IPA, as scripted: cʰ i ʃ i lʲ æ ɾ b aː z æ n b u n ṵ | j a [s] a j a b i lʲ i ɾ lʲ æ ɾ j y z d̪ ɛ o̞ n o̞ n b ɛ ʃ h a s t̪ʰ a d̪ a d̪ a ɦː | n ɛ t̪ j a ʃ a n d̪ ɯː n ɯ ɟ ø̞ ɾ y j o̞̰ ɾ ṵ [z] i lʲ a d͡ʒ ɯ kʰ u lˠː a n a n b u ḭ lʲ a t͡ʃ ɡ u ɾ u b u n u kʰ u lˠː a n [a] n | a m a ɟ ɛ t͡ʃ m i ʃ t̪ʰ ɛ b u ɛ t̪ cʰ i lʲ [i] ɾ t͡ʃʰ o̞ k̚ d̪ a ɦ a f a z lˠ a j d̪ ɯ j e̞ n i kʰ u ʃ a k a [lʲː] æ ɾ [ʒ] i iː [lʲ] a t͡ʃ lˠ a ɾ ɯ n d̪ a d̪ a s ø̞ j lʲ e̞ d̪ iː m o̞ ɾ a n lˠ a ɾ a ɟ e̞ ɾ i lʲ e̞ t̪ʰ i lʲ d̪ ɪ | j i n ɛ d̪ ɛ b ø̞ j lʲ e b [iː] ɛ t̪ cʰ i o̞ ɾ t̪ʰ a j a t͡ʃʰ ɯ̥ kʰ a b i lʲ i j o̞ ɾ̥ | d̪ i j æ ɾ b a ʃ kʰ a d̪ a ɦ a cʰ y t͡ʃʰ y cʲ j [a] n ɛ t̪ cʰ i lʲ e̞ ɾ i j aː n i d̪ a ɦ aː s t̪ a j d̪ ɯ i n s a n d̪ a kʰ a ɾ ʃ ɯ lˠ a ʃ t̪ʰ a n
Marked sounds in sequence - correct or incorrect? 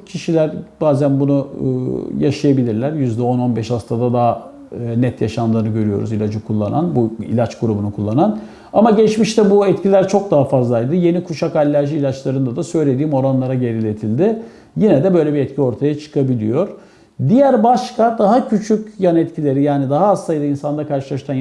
incorrect, correct, correct, incorrect, correct, correct, correct, incorrect, correct

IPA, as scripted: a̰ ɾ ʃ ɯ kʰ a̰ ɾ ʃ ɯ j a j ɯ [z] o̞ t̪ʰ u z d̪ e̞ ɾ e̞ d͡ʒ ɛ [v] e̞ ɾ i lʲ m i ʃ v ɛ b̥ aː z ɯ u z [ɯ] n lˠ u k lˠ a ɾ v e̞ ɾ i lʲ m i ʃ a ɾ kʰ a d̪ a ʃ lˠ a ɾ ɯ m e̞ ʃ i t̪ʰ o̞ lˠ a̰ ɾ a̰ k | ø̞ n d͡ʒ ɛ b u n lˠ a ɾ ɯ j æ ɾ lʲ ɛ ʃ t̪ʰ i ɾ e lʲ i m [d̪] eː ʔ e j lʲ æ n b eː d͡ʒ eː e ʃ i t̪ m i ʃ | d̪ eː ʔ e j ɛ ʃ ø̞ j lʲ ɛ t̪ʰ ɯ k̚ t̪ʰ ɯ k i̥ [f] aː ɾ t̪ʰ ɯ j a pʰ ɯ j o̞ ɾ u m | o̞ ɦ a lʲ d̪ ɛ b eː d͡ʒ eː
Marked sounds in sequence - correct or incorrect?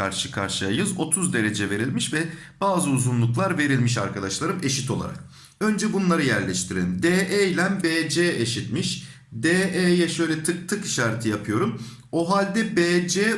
correct, correct, incorrect, correct, incorrect

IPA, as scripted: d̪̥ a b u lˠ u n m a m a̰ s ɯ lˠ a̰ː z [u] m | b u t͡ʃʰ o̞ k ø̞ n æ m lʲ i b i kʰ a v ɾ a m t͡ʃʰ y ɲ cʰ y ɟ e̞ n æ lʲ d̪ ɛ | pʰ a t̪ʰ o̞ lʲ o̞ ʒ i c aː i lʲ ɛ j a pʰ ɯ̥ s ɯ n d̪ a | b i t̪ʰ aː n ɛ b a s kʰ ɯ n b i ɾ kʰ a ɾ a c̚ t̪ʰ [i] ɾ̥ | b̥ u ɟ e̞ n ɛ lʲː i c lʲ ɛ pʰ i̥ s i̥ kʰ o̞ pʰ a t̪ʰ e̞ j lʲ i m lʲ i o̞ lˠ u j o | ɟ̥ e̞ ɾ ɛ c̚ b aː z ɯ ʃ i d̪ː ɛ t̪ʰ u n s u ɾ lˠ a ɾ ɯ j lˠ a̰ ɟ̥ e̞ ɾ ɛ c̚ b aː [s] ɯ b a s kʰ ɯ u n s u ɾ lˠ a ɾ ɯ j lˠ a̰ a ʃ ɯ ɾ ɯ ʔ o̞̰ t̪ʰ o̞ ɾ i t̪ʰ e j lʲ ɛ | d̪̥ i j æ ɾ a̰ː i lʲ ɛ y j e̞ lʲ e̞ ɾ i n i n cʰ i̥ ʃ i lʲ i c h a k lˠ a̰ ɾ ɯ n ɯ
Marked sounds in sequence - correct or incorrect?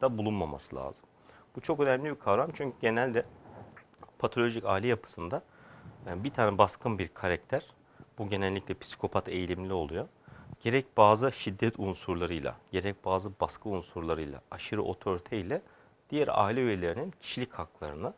incorrect, incorrect, incorrect

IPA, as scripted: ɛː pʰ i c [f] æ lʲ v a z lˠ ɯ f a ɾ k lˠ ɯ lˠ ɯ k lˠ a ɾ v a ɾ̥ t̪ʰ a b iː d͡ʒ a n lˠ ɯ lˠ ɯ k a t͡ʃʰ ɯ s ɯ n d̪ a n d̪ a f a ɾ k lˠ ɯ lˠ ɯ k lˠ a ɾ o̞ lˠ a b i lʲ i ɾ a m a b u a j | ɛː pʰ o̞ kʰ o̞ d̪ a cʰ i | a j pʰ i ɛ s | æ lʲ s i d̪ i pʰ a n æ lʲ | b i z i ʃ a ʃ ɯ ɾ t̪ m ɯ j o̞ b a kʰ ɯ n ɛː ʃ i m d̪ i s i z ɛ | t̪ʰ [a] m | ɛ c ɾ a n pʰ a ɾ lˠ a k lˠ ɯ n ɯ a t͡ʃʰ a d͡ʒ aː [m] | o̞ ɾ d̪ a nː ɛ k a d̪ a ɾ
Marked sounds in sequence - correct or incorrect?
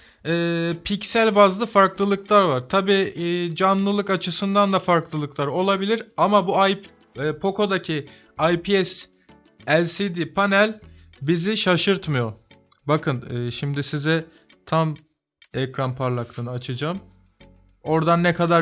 incorrect, correct, correct

